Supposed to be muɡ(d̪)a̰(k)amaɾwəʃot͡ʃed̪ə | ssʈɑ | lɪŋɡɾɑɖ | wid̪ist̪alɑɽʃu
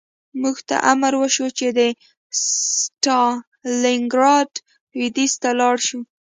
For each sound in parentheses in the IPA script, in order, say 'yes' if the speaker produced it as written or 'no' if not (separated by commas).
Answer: no, no